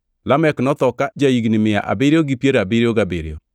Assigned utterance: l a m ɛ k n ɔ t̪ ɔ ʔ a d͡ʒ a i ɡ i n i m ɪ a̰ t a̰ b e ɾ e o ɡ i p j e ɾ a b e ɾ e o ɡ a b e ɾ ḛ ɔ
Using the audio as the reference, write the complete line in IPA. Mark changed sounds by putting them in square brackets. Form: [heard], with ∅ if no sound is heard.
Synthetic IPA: l a m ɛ k n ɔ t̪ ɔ [k] a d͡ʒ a i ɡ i n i m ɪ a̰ [ʔ] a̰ b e ɾ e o ɡ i p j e ɾ a b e ɾ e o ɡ a b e ɾ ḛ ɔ